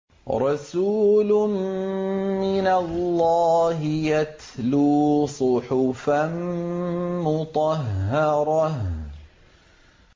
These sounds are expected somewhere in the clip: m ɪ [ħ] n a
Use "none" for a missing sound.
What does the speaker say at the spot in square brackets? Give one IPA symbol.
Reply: none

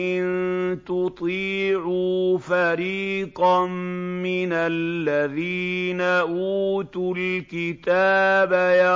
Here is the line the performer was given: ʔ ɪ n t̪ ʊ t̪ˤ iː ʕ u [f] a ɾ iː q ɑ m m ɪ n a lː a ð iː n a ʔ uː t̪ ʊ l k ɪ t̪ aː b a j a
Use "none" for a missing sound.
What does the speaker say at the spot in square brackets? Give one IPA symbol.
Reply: f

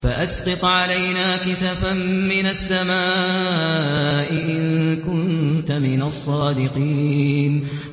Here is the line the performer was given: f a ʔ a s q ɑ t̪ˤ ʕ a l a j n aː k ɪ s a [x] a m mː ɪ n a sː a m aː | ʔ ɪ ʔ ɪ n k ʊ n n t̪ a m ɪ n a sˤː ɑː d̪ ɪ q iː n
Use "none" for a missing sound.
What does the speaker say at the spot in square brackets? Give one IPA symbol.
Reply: f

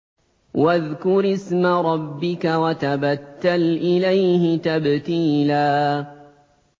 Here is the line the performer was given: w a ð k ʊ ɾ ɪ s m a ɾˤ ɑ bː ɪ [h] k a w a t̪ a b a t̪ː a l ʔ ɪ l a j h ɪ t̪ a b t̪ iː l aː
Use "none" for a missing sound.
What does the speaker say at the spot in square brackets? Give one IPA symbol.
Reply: none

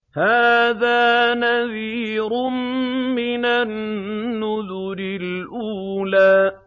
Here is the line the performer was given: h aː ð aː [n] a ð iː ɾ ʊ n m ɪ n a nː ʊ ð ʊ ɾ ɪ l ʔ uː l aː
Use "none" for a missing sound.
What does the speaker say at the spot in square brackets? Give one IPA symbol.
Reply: n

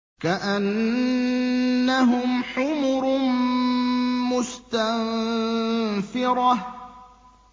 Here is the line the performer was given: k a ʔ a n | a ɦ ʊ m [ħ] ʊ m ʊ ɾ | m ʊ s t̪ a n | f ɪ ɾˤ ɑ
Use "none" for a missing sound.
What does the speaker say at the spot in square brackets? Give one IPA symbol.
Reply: ħ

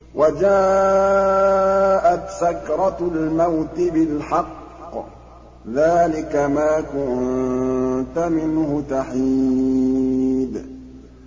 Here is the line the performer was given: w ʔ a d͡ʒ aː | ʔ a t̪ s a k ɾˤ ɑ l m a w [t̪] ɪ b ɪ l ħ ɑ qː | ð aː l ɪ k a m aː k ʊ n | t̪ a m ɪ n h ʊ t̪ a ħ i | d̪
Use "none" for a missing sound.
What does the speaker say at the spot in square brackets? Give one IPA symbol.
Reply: t̪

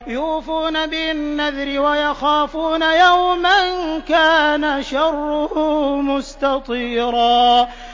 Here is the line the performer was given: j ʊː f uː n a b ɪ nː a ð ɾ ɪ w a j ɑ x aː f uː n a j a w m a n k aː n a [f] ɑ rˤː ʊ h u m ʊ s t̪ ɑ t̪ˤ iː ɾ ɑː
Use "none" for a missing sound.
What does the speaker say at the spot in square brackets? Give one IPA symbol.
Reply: ʃ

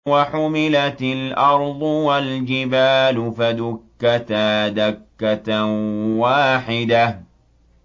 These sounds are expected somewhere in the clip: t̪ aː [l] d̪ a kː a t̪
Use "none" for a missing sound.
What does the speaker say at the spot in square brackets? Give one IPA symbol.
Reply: none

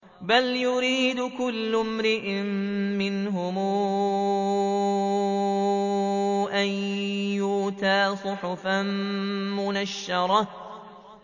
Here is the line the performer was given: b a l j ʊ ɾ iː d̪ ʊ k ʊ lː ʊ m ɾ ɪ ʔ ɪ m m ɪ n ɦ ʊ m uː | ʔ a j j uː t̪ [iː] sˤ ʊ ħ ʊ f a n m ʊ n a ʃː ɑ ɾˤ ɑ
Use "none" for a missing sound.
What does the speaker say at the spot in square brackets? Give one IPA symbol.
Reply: aː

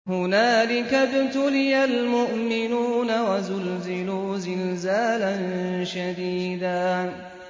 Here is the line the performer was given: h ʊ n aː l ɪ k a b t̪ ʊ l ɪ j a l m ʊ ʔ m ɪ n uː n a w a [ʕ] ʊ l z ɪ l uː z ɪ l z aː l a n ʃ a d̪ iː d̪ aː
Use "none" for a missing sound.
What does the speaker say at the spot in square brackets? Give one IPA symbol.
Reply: z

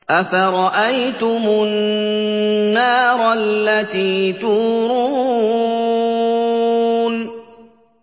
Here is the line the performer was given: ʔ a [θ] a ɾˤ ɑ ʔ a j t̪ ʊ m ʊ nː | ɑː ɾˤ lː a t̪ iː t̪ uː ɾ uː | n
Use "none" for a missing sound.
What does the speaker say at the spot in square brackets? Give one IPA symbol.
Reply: f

